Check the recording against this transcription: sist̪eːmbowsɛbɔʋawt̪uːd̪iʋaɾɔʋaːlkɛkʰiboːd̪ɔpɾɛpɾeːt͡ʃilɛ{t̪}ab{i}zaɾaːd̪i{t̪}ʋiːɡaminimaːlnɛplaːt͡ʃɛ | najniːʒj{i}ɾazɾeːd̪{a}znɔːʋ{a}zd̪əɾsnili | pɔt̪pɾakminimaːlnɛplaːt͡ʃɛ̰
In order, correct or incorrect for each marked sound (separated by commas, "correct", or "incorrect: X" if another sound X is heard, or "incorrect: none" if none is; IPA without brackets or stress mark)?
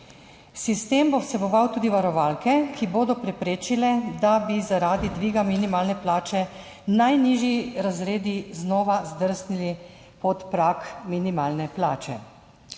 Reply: incorrect: d̪, correct, incorrect: d̪, correct, incorrect: i, correct